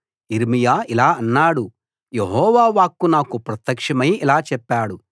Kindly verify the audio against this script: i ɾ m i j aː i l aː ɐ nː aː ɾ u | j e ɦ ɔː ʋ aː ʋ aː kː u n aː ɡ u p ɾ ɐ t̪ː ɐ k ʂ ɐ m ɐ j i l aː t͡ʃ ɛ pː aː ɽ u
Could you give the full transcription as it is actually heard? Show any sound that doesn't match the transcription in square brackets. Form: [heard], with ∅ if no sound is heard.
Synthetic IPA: i ɾ m i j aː i l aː ɐ nː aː [ɽ] u | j e ɦ ɔː ʋ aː ʋ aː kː u n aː [k] u p ɾ ɐ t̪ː ɐ k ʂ ɐ m ɐ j i l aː t͡ʃ ɛ pː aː ɽ u